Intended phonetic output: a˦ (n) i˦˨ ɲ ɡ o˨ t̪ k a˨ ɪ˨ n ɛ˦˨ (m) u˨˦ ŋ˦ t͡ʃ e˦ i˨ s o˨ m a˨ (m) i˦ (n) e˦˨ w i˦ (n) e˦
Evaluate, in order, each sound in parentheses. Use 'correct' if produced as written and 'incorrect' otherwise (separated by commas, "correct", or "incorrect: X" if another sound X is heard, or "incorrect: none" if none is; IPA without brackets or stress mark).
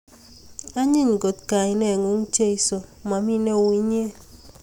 incorrect: ɲ, incorrect: ŋ, correct, correct, incorrect: ɲ